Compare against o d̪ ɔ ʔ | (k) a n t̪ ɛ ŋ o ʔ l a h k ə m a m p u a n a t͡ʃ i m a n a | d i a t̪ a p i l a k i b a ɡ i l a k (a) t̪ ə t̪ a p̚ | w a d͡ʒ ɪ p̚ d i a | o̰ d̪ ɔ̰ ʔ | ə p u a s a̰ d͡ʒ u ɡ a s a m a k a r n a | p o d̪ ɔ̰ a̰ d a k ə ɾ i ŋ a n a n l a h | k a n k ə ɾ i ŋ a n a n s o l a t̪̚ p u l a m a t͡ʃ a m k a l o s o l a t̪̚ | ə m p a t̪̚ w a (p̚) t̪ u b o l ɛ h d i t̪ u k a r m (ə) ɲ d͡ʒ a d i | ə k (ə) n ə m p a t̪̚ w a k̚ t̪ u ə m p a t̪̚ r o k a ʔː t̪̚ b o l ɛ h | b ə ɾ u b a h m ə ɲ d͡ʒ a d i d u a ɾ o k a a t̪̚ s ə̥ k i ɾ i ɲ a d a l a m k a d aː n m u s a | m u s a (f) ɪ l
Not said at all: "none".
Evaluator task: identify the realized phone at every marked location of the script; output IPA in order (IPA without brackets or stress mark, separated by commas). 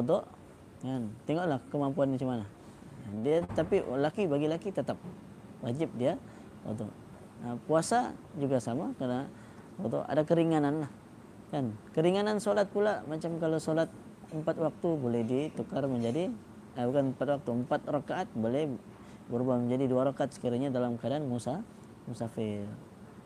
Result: k, i, k̚, ə, a, f